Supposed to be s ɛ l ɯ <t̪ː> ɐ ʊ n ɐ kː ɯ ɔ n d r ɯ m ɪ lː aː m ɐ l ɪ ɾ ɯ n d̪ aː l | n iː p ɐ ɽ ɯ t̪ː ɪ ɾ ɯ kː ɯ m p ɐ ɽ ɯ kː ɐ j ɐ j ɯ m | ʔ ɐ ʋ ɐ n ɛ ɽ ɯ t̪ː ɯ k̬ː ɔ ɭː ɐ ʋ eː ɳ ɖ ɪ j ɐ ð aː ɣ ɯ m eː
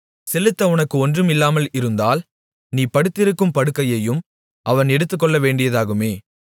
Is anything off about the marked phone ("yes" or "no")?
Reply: no